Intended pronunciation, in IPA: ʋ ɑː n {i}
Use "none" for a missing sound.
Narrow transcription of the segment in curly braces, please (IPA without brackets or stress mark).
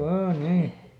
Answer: iː